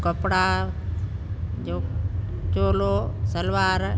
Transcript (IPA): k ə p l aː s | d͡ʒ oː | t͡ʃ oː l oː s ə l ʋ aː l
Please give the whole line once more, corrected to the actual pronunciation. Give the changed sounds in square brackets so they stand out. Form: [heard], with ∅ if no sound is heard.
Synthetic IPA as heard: k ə p [ɽ] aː [∅] | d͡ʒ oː | t͡ʃ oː l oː s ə l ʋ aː [ɾ]